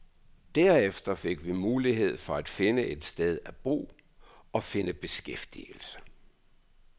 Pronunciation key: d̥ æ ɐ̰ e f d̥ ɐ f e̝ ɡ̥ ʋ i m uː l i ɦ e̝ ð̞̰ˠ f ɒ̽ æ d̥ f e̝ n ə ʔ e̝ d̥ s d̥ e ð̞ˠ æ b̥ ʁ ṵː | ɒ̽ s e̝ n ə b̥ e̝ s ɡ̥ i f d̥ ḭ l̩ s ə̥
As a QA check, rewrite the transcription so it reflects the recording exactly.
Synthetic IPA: d̥ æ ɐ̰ e f d̥ ɐ f e̝ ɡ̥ ʋ i m uː l i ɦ e̝ ð̞̰ˠ f ɒ̽ æ d̥ f e̝ n ə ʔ e̝ d̥ s d̥ e ð̞ˠ æ b̥ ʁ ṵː | ɒ̽ f e̝ n ə b̥ e̝ s ɡ̥ e f d̥ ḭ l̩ s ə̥